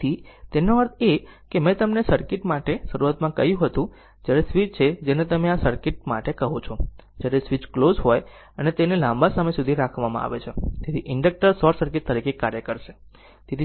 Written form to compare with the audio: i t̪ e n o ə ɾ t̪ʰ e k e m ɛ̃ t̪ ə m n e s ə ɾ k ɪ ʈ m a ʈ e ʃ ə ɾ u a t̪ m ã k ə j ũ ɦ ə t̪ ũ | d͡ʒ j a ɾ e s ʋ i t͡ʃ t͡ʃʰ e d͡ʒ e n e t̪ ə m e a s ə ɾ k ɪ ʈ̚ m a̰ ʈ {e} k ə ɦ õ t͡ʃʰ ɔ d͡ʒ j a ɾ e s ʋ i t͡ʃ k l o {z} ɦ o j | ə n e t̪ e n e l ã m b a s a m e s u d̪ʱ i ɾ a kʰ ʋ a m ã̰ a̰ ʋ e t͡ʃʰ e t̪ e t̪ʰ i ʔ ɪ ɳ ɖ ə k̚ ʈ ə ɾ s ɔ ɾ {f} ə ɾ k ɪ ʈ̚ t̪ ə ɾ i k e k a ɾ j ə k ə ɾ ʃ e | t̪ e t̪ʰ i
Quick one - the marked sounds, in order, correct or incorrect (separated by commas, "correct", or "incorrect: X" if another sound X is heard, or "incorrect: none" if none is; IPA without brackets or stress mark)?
correct, correct, incorrect: s